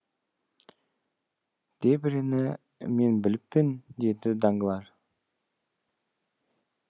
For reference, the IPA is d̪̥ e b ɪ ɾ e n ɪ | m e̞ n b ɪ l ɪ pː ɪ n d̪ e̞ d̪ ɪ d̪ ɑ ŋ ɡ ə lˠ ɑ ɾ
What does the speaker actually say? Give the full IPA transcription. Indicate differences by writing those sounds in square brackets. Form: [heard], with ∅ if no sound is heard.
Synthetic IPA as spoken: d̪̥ e b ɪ ɾ e n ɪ | m e̞ n b ɪ l ɪ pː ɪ n d̪ e̞ d̪ ɪ d̪ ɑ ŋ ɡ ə lˠ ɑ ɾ